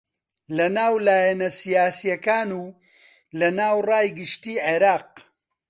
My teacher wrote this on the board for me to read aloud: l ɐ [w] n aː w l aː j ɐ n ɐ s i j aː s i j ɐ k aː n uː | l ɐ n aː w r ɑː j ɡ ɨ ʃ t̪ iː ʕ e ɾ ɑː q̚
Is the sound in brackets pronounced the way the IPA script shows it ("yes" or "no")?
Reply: no